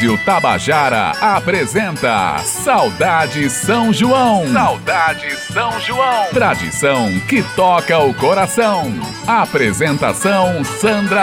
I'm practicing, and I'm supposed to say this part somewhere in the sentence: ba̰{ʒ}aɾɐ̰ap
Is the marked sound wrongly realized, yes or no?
no